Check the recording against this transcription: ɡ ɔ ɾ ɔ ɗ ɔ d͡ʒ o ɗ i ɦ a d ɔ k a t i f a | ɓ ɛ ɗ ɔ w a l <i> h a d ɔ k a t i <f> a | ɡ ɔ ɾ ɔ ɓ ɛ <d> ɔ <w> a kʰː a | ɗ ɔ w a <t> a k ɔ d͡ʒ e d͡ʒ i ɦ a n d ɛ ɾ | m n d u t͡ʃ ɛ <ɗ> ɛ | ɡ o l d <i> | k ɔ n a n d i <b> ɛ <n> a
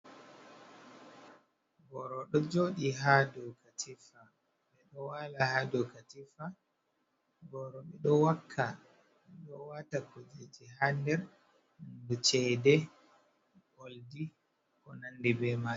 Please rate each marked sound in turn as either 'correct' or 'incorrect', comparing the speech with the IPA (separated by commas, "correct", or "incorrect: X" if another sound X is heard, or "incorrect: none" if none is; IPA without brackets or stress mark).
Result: incorrect: a, correct, incorrect: ɗ, correct, correct, incorrect: d, correct, correct, incorrect: m